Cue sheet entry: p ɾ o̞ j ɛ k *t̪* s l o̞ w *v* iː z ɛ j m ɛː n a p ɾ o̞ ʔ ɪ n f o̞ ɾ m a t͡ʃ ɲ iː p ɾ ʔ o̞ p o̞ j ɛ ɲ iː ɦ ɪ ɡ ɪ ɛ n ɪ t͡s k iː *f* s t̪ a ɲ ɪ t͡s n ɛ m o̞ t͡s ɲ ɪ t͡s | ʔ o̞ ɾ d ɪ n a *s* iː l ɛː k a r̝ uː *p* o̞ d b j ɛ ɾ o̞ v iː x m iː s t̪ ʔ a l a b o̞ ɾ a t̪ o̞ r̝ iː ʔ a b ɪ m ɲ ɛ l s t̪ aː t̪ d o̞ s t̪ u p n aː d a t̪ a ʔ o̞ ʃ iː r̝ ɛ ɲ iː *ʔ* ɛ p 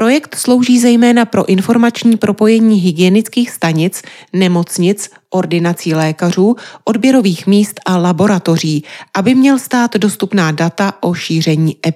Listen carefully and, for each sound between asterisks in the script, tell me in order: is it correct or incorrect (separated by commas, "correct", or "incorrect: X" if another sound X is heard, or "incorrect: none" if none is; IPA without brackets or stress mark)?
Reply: correct, incorrect: ʒ, incorrect: x, incorrect: t͡s, incorrect: ʔ, correct